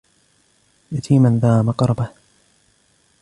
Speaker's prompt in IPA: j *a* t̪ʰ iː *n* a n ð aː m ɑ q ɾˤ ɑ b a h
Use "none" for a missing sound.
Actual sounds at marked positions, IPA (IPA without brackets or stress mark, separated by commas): a, m